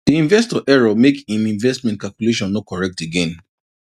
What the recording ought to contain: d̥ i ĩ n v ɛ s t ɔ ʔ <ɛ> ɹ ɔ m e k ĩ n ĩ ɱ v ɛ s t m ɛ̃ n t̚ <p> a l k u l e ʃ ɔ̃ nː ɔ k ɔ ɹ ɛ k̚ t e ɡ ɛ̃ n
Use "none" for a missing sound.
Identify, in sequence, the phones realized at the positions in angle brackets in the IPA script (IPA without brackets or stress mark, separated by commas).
ɛ, k